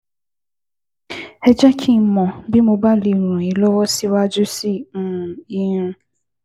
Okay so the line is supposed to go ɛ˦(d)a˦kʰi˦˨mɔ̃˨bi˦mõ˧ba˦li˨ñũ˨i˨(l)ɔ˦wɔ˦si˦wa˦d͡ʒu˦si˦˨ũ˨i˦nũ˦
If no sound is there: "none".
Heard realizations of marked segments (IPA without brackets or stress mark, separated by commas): d͡ʒ, l